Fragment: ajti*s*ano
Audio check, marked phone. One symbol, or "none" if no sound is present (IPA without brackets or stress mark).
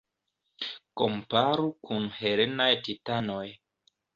t